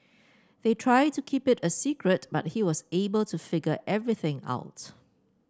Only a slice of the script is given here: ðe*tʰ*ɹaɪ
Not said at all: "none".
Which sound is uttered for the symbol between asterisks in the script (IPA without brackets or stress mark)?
tʰ